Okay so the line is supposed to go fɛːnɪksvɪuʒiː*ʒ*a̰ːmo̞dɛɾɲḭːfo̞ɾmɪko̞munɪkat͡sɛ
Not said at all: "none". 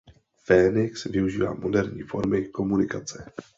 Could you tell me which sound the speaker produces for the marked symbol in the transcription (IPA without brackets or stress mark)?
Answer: v